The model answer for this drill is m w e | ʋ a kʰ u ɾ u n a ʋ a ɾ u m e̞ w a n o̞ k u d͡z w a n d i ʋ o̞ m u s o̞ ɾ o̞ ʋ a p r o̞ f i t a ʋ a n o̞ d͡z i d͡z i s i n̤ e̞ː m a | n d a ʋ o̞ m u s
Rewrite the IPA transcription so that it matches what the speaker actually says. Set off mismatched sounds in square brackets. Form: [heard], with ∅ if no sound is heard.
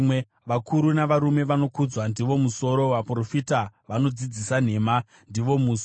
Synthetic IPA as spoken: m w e | ʋ a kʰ u ɾ u n a ʋ a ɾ u m e̞ [ʋ] a n o̞ k u d͡z w a n d i ʋ o̞ m u s o̞ ɾ o̞ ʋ a p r o̞ f i t a ʋ a n o̞ d͡z i d͡z i s [a] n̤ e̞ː m a | n d [i] ʋ o̞ m u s